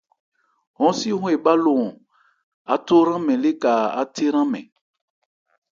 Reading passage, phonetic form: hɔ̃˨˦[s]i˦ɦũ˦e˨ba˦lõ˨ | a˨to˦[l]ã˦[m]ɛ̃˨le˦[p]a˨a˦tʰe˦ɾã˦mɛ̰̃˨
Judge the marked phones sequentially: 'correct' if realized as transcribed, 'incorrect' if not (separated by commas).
correct, incorrect, correct, incorrect